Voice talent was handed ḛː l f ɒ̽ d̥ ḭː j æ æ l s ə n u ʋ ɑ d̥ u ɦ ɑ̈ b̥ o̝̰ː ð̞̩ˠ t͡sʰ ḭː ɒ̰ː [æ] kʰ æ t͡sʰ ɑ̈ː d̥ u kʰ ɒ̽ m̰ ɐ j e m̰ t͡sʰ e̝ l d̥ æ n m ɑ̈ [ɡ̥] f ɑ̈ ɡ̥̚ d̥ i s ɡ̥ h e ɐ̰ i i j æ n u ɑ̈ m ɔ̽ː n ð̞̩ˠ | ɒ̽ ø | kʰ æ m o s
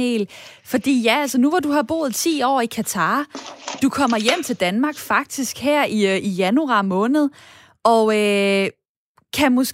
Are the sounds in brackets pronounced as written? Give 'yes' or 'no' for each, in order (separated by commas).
no, yes